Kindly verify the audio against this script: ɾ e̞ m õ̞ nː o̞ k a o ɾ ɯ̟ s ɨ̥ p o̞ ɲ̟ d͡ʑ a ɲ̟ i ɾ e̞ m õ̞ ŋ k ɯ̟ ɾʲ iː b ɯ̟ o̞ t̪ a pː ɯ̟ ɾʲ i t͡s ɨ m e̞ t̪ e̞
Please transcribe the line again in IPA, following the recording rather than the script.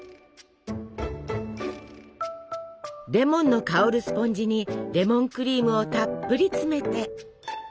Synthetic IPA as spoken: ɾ e̞ m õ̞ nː o̞ k a o ɾ ɯ̟ s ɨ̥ p õ̞ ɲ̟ d͡ʑ i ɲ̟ i ɾ e̞ m õ̞ ŋ k ɯ̟ ɾʲ iː m ɯ̟ o̞ t̪ a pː ɯ̟ ɾʲ i t͡s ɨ m e̞ t̪ e̞